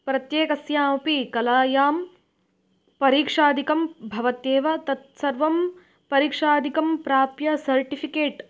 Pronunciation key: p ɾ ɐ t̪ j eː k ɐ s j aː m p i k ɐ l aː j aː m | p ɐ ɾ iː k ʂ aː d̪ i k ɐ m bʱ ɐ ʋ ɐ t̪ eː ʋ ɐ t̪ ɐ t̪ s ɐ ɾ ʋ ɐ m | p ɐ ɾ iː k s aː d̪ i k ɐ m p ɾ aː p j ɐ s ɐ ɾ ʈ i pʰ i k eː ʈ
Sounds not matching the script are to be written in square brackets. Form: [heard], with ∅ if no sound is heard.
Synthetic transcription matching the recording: p ɾ ɐ t̪ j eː k ɐ s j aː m p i k ɐ l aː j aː m | p ɐ ɾ iː k ʂ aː d̪ i k ɐ m bʱ ɐ ʋ ɐ t̪ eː ʋ ɐ t̪ ɐ t̪ s ɐ ɾ ʋ ɐ m | p ɐ ɾ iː k [ʂ] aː d̪ i k ɐ m p ɾ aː p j ɐ s ɐ ɾ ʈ i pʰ i k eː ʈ